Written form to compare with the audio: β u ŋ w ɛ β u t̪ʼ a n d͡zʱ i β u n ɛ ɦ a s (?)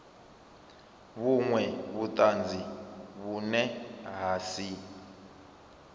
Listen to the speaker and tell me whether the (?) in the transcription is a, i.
i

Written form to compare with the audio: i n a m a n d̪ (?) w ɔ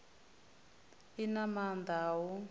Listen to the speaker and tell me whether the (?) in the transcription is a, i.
a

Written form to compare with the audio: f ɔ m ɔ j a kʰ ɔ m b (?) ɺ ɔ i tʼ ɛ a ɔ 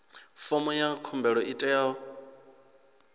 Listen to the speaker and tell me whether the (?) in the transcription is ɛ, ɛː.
ɛ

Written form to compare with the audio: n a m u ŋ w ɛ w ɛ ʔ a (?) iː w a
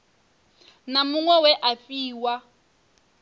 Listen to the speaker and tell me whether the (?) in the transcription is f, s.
f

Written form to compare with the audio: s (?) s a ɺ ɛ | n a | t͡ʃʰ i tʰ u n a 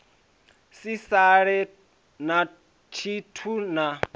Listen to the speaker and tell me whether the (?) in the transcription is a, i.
i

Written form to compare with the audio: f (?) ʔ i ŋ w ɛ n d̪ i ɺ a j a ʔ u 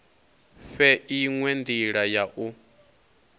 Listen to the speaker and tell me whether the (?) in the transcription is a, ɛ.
ɛ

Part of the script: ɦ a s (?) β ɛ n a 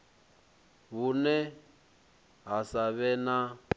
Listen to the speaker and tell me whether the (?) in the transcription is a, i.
a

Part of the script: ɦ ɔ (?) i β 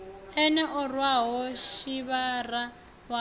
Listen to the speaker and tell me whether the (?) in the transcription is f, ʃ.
ʃ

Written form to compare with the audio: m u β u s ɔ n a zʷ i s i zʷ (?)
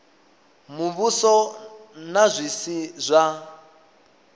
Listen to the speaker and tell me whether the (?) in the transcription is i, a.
a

